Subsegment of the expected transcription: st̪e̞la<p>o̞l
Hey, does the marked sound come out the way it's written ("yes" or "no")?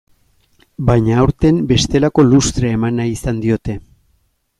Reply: no